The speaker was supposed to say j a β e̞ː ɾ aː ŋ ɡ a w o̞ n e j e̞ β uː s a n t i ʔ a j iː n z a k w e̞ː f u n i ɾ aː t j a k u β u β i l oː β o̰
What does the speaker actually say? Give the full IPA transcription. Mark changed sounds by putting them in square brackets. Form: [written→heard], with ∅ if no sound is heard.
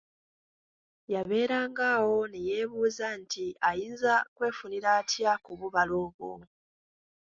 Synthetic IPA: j a β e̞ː ɾ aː ŋ ɡ a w o̞ n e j e̞ β uː [s→z] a n t i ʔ a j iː n z a k w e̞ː f u n i ɾ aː t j a k u β u β [i→a] l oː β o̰